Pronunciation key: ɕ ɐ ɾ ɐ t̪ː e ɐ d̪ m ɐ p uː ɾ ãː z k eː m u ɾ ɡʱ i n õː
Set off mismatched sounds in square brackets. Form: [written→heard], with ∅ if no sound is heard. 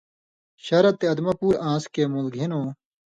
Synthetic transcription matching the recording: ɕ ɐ ɾ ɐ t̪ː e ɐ d̪ m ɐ p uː ɾ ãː [z→s] k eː m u [ɾ→l] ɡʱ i n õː